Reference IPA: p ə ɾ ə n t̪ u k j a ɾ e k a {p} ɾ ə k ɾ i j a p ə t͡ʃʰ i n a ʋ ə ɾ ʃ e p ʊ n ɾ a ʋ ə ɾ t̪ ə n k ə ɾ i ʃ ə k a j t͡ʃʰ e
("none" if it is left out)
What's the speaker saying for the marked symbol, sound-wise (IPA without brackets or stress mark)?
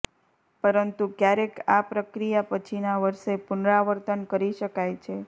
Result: p